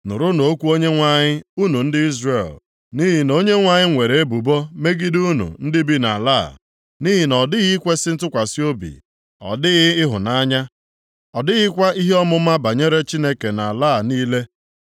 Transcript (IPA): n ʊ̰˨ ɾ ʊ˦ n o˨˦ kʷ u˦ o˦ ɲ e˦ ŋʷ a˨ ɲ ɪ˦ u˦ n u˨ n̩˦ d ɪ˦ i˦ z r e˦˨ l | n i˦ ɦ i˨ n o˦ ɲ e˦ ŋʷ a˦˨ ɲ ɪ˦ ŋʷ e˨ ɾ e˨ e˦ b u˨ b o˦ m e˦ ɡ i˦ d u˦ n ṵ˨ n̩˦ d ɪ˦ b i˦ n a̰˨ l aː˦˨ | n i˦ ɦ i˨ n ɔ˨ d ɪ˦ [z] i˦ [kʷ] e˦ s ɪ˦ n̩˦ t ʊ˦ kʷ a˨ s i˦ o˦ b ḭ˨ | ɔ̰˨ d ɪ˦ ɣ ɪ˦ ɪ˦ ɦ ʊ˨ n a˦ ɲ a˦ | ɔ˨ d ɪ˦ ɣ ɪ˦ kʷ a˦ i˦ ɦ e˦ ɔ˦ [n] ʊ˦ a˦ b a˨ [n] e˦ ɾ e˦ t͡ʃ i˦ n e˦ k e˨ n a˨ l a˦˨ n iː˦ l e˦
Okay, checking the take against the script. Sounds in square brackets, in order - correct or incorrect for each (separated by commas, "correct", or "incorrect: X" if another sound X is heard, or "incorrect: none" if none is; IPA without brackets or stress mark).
incorrect: ɣ, correct, incorrect: m, incorrect: ɲ